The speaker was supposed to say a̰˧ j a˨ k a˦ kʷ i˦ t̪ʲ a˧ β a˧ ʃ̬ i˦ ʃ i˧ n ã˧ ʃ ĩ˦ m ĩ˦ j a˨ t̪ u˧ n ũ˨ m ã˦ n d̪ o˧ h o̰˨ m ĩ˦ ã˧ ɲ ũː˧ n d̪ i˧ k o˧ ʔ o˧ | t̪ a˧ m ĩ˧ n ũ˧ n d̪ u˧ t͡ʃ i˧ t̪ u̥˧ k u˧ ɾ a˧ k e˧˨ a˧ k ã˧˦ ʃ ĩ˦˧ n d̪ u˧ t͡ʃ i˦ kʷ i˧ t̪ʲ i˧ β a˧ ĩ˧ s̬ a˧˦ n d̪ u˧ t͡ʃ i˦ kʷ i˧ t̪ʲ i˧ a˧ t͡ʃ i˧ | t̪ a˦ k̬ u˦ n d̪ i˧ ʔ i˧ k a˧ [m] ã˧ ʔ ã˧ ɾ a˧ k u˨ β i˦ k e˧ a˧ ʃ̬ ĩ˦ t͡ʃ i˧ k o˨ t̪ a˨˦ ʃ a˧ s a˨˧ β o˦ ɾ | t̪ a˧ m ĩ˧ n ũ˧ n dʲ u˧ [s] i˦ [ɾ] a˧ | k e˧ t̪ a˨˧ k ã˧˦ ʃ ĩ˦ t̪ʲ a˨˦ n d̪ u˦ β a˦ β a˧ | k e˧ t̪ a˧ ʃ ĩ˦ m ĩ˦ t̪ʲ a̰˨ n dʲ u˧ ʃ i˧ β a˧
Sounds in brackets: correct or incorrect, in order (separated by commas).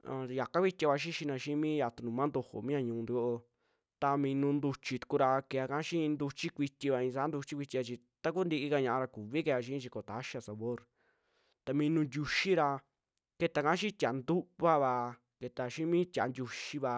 incorrect, incorrect, correct